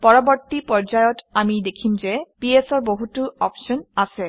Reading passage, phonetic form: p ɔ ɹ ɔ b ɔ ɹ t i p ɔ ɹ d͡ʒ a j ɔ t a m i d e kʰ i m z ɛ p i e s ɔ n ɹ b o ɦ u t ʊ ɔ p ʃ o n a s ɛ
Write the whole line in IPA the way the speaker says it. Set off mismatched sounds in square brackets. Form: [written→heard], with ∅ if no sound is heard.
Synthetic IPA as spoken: p ɔ ɹ ɔ b ɔ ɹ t i p ɔ ɹ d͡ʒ a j ɔ t a m i d e kʰ i m z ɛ p i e s ɔ [n→∅] ɹ b o ɦ u t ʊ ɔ p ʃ [o→ɔ] n a s ɛ